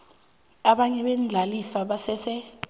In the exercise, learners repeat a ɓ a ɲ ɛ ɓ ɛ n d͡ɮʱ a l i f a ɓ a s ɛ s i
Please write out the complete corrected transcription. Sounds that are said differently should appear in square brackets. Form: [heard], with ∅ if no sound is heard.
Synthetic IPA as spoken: a ɓ a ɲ ɛ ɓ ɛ n d͡ɮʱ a l i f a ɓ a s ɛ s [ɛ]

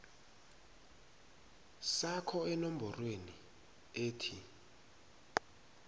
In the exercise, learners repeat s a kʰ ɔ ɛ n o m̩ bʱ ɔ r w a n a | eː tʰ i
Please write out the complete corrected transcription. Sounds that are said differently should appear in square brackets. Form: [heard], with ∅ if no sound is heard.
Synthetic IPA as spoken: s a kʰ ɔ ɛ n o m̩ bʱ ɔ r w [e] n [i] | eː tʰ i

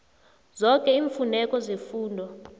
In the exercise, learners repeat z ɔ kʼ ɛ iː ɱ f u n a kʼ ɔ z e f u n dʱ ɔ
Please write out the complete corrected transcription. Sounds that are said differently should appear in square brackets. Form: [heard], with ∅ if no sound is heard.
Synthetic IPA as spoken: z ɔ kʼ ɛ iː ɱ f u n [ɛ] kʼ ɔ z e f [uː] n dʱ ɔ

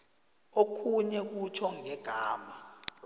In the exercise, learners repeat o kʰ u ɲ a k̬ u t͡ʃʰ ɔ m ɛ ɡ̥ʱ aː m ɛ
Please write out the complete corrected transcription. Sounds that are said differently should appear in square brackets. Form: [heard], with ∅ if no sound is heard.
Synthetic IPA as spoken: o kʰ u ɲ [ɛ] k̬ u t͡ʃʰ ɔ [ŋ] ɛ ɡ̥ʱ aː m [a]

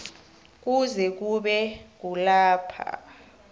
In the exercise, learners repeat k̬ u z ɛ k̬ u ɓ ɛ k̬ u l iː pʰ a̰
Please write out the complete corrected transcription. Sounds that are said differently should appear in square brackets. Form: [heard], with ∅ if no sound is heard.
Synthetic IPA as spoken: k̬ u z ɛ k̬ u ɓ ɛ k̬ u l [aː] pʰ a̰

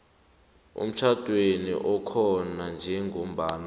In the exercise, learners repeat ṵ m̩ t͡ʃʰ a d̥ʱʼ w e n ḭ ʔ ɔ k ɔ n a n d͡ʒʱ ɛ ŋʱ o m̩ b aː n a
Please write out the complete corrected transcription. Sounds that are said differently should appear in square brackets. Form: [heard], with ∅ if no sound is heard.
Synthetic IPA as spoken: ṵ m̩ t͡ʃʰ a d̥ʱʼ w e n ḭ ʔ ɔ [kʰ] ɔ n a n d͡ʒʱ ɛ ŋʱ o m̩ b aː n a

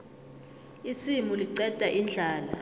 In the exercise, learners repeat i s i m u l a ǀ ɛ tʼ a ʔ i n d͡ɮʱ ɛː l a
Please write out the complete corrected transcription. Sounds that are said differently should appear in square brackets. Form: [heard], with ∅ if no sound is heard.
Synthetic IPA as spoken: i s i m u l [i] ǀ ɛ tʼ a ʔ i n d͡ɮʱ [aː] l a

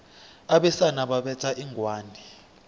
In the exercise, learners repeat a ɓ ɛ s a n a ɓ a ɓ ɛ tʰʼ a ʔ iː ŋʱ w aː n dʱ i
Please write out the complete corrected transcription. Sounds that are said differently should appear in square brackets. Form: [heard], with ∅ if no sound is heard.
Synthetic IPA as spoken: a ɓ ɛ s a n a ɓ a ɓ ɛ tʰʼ a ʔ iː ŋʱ w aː n dʱ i

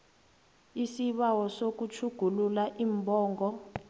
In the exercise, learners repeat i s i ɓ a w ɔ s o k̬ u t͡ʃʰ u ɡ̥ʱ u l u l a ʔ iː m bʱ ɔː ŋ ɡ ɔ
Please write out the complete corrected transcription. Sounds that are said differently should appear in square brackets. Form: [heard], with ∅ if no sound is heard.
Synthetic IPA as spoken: i s i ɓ a w ɔ s o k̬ u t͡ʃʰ u ɡ̥ʱ u l u l a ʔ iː m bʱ ɔː ŋ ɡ ɔ

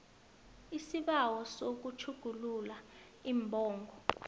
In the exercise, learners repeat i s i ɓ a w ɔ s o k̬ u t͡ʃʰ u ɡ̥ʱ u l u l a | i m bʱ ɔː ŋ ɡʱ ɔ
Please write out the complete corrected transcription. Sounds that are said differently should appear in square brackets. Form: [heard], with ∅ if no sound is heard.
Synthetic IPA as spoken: i s i ɓ a w ɔ s o k̬ u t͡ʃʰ u ɡ̥ʱ u l u l a | i m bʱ ɔː ŋ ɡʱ ɔ

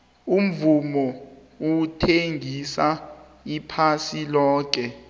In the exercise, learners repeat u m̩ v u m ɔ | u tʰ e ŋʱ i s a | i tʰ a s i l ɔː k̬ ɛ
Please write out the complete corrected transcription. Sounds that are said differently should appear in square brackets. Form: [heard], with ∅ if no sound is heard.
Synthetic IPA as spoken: u m̩ v u m ɔ | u tʰ e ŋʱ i s a | i [pʰ] a s i l ɔː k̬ ɛ

